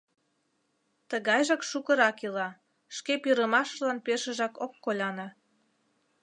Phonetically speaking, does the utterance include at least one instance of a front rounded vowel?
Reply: no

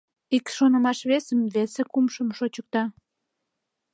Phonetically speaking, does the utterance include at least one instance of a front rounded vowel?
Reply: no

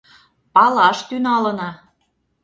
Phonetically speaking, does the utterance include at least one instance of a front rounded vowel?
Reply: yes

